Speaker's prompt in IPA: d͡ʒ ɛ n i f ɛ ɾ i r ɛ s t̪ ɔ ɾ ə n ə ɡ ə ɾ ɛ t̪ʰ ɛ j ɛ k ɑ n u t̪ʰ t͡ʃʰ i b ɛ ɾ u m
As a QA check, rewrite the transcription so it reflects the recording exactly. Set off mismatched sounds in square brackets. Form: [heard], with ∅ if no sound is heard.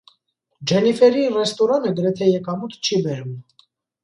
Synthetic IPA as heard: d͡ʒ ɛ n i f ɛ ɾ i r ɛ s t̪ ɔ ɾ [ɑ] n ə ɡ ə ɾ ɛ t̪ʰ ɛ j ɛ k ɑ [m] u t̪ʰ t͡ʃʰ i b ɛ ɾ u m